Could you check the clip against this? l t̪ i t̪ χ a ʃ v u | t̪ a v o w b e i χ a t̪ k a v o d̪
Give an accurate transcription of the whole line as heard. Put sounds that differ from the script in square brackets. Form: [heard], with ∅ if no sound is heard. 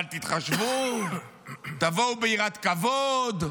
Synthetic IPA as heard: l t̪ i t̪ χ a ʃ v u | t̪ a v o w b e i [ʁ] a t̪ k a v o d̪